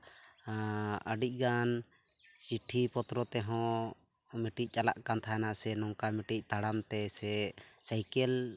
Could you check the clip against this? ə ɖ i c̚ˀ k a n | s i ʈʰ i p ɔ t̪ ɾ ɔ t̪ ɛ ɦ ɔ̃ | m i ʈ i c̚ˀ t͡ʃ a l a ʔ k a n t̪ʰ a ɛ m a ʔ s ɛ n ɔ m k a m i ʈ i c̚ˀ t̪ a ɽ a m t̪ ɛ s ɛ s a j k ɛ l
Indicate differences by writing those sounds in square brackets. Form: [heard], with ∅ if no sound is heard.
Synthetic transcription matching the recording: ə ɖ i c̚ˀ [ɡ] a n | s i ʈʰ i p ɔ t̪ ɾ ɔ t̪ ɛ ɦ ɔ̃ | m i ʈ i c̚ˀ t͡ʃ a l a ʔ k a n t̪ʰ a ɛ [n] a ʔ s ɛ n ɔ [ŋ] k a m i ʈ i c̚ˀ t̪ a ɽ a m t̪ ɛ s ɛ s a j k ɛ l